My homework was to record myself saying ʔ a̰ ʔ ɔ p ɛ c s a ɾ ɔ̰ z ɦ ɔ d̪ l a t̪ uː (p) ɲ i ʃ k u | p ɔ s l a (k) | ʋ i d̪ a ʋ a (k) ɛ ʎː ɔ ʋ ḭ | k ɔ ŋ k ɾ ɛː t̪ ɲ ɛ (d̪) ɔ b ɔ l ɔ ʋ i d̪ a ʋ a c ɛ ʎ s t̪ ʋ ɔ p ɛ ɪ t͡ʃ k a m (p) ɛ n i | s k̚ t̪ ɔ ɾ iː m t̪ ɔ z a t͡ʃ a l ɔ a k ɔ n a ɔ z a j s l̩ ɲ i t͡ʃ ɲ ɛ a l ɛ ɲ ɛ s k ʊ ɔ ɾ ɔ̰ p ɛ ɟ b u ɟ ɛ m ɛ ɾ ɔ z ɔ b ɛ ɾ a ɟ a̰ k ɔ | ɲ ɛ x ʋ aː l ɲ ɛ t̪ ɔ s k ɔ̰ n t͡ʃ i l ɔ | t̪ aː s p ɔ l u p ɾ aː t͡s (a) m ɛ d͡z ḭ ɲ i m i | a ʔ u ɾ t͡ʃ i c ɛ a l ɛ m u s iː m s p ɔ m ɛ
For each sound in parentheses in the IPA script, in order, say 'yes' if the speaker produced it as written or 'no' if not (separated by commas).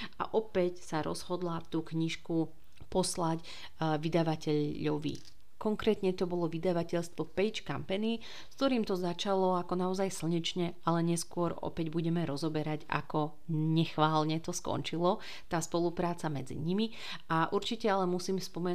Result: no, no, no, no, yes, yes